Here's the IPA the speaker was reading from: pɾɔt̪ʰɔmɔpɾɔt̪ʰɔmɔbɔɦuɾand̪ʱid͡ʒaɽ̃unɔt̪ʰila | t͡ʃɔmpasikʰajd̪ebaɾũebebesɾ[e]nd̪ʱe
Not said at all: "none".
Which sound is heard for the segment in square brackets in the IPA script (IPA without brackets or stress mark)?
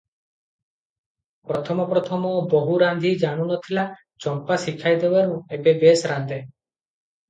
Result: a